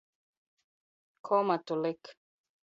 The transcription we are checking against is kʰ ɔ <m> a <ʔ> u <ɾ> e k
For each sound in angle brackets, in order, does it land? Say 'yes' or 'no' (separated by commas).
yes, no, no